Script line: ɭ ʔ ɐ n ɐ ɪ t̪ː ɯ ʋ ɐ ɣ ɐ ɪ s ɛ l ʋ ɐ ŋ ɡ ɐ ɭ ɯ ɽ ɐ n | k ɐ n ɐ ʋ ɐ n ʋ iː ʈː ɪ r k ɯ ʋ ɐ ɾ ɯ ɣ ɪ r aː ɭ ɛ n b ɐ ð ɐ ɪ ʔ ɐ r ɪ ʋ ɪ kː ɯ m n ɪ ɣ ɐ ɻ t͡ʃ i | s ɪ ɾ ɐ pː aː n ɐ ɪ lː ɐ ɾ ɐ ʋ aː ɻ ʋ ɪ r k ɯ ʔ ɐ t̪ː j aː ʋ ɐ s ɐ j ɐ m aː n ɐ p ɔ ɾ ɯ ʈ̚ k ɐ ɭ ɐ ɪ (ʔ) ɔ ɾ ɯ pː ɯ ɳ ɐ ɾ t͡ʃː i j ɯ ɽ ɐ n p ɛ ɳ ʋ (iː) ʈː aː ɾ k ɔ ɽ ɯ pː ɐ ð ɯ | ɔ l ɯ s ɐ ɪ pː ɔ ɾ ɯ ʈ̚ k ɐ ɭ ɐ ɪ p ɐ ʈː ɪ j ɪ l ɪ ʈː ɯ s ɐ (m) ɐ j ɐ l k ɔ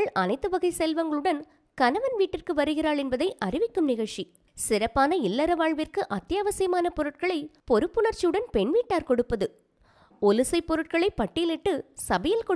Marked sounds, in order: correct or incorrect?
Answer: incorrect, correct, incorrect

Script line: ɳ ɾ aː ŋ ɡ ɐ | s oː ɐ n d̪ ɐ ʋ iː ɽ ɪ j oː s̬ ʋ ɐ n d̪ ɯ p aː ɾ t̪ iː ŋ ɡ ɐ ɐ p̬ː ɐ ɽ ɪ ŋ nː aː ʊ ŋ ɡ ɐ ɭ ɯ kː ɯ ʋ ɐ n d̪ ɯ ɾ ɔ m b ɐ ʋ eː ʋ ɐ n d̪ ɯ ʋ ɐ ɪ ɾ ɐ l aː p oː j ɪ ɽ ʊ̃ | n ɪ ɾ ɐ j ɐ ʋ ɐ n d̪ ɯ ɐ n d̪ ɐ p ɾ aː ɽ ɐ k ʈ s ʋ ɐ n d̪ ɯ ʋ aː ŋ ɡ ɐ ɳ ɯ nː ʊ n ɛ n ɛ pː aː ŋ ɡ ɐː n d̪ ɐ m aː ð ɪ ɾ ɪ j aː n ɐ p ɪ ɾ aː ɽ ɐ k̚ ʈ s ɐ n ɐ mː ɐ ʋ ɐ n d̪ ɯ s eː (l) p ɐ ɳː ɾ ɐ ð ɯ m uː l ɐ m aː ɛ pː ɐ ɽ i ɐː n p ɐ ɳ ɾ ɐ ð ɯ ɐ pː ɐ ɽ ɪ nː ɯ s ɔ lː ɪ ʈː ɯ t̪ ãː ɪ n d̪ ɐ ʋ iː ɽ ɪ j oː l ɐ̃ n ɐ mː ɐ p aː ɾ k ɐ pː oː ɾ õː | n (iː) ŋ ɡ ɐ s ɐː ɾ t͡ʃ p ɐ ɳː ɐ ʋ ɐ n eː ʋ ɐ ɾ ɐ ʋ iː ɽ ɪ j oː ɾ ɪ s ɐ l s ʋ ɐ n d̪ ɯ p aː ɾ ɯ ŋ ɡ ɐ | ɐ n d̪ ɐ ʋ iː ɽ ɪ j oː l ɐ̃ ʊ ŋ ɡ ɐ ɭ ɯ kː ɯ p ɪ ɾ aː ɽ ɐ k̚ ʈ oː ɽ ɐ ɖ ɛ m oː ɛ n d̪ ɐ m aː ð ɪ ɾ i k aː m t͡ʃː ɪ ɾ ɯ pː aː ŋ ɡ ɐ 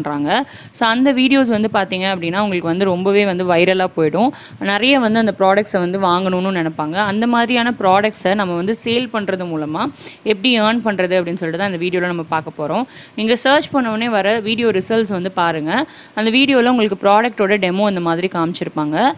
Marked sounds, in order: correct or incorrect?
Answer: correct, correct

